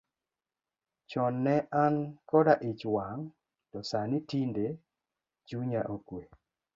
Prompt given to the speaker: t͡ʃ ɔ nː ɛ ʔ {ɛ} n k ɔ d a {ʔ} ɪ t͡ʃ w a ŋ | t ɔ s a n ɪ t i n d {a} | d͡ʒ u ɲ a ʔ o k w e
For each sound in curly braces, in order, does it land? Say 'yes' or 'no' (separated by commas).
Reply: no, yes, no